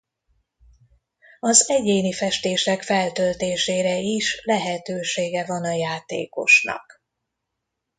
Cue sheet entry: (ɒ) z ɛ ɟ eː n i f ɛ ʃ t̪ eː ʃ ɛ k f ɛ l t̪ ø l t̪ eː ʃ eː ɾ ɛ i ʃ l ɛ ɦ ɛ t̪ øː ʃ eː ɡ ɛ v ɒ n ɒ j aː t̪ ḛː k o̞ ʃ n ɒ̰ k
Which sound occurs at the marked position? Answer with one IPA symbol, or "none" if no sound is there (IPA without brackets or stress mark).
ɒ